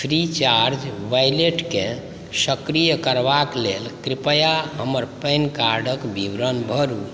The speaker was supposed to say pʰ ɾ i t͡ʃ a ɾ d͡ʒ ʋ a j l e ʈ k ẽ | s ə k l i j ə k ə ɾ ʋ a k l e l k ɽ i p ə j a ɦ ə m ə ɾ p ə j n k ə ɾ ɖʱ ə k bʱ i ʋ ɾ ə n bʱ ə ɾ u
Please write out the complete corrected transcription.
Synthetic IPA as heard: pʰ ɾ i t͡ʃ a ɾ d͡ʒ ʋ a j l e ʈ k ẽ | s ə k ɾ i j ə k ə ɾ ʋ a k l e l k ɾ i p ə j a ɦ ə m ə ɾ p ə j n k a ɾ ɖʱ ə k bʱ i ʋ ɾ ə n bʱ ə ɾ u

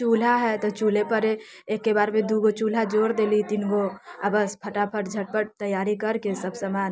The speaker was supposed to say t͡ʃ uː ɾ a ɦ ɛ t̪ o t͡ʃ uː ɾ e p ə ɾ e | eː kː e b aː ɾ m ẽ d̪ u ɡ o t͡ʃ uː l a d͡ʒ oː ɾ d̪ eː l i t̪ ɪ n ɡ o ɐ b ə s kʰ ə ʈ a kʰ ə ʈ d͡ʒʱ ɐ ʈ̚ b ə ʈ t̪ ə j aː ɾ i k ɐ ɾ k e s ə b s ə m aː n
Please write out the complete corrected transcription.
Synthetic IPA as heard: t͡ʃ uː l a ɦ ɛ t̪ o t͡ʃ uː l e p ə ɾ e | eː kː e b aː ɾ m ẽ d̪ u ɡ o t͡ʃ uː l a d͡ʒ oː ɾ d̪ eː l i t̪ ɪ n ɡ o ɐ b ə s pʰ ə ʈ a pʰ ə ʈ d͡ʒʱ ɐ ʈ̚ p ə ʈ t̪ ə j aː ɾ i k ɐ ɾ k e s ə b s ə m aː n

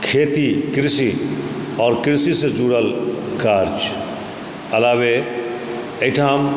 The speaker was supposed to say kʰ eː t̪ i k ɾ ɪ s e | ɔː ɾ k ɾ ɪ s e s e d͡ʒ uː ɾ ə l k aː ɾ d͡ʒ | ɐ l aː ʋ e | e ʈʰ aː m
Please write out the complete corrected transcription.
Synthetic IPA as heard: kʰ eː t̪ i k ɾ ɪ s i | ɔː ɾ k ɾ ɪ s i s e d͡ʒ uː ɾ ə l k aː ɾ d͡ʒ | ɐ l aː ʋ e | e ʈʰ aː m

